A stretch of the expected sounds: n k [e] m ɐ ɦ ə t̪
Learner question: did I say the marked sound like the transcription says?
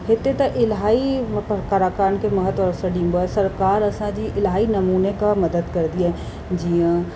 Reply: yes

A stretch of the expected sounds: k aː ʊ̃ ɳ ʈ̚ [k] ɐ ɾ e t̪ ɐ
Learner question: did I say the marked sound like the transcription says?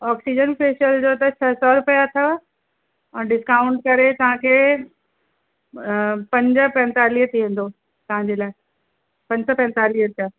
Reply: yes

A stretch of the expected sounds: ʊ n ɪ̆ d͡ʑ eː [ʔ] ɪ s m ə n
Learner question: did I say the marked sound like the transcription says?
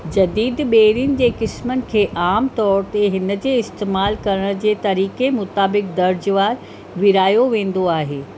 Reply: no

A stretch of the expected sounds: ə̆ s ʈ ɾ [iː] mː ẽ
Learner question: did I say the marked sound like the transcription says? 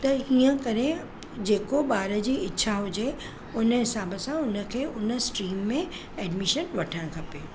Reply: yes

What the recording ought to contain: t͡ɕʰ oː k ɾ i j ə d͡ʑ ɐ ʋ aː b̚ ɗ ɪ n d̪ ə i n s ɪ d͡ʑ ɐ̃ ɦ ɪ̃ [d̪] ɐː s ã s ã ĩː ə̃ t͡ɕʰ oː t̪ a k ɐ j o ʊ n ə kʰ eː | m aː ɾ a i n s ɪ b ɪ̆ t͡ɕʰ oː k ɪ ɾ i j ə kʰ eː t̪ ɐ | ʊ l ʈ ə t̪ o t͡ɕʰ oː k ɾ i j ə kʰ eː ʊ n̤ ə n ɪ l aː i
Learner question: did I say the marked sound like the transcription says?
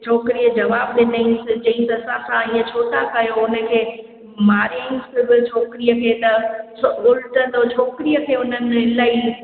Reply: no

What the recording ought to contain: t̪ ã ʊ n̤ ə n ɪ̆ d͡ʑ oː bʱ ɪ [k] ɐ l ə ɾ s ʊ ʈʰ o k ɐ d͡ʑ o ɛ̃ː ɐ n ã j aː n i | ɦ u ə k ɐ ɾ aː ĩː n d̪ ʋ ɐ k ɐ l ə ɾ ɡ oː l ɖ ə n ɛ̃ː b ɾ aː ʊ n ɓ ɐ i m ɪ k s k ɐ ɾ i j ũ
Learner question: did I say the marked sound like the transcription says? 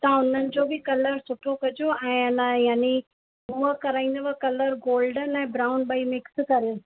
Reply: yes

